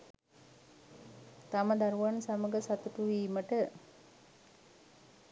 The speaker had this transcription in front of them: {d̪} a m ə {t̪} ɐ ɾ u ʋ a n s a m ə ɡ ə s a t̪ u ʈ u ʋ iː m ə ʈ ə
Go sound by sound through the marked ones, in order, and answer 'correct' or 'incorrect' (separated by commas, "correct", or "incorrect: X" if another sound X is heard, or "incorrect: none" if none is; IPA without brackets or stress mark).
incorrect: t̪, incorrect: d̪